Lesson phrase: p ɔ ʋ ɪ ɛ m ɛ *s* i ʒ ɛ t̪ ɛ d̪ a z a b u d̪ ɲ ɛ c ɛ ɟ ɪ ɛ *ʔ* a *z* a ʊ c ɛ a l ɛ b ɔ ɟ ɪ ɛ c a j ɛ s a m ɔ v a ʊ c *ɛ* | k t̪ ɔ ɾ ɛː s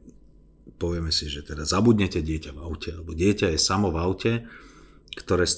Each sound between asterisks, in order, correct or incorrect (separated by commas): correct, incorrect, incorrect, correct